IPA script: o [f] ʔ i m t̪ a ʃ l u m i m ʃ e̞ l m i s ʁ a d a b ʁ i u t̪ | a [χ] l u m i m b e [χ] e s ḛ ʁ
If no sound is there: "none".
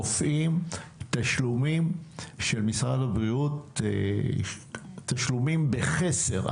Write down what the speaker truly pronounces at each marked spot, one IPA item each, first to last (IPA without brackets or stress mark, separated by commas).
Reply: f, ʃ, χ